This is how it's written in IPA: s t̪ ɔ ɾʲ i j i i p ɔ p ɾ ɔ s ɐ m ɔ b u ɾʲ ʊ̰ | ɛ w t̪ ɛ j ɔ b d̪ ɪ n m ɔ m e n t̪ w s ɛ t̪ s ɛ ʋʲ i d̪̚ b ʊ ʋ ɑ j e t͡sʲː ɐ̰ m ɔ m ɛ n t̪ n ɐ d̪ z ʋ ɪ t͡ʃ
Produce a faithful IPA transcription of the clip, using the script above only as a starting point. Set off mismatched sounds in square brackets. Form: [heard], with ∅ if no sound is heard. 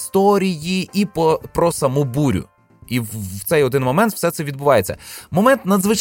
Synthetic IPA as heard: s t̪ ɔ ɾʲ i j i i p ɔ p ɾ ɔ s ɐ m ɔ b u ɾʲ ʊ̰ | [i] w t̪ ɛ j ɔ [∅] d̪ ɪ n m ɔ m [ɛ] n t̪ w s ɛ t̪ s ɛ ʋʲ i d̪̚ b ʊ ʋ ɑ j e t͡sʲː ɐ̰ m ɔ m ɛ n t̪ n ɐ d̪ z ʋ ɪ t͡ʃ